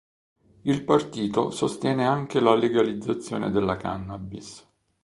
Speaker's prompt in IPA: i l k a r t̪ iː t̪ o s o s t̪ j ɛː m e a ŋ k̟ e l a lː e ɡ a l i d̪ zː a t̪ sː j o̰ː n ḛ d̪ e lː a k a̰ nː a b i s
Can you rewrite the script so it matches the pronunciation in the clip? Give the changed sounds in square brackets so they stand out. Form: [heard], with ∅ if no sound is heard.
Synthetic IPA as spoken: i l [p] a r t̪ iː t̪ o s o s t̪ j ɛː [n] e a ŋ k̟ e l a [l] e ɡ a l i d̪ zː a t̪ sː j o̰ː n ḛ d̪ e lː a k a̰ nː a b i s